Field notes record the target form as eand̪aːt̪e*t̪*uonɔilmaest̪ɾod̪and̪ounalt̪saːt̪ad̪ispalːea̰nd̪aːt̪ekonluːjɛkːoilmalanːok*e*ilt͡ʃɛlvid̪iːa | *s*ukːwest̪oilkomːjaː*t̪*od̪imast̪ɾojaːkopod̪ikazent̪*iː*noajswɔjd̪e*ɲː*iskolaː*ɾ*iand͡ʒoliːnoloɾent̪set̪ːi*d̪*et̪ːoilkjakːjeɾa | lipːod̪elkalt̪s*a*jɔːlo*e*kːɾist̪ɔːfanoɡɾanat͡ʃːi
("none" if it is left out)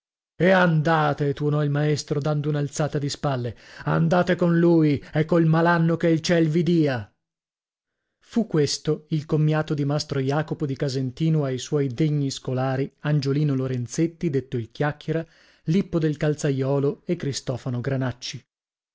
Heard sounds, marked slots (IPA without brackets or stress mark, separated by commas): t̪, e, f, t̪, iː, ɲː, ɾ, d̪, a, e